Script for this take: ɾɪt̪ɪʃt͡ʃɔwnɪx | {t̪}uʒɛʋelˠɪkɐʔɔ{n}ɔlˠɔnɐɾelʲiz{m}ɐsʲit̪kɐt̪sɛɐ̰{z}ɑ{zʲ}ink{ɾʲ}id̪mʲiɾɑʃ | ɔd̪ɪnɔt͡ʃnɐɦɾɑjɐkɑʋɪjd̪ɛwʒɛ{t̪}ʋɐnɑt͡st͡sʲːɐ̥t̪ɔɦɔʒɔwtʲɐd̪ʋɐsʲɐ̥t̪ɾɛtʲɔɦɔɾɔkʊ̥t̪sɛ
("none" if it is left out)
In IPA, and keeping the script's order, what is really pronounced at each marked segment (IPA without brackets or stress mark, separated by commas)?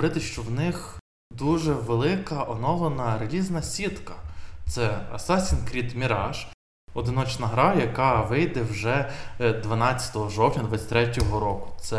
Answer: d̪, n, n, s, sʲ, ɾʲ, d̪